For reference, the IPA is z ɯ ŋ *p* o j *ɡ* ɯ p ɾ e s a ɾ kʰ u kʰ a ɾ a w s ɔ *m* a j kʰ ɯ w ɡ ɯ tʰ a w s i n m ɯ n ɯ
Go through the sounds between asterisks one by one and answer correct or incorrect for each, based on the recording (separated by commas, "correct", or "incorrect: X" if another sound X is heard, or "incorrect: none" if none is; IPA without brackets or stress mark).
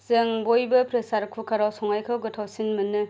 incorrect: b, incorrect: b, incorrect: ŋ